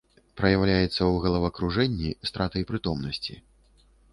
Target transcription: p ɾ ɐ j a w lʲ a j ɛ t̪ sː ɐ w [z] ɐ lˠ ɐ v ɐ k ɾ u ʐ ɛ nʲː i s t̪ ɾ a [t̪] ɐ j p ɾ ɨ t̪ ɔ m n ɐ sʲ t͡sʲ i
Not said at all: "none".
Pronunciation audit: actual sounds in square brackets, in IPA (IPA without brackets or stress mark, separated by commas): ɣ, t̪